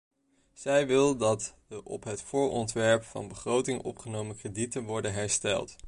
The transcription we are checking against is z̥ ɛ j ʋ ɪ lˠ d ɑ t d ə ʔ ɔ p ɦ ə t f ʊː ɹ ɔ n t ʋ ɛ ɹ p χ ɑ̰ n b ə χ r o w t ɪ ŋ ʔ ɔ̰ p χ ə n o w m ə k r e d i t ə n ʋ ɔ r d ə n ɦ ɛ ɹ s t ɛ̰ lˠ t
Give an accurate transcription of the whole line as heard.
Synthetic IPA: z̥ ɛ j ʋ ɪ lˠ d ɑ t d ə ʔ ɔ p ɦ ə t f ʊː ɹ ɔ n t ʋ ɛ ɹ p f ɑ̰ n b ə χ r o w t ɪ ŋ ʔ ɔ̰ p χ ə n o w m ə k r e d i t ə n ʋ ɔ ɹ d ə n ɦ ɛ ɹ s t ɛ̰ lˠ t